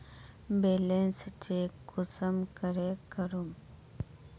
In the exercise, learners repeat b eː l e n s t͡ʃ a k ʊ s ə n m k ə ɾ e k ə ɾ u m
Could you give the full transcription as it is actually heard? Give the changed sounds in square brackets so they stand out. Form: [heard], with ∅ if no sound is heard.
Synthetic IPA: b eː l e n s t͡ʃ [e] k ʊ s ə [∅] m k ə ɾ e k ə ɾ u m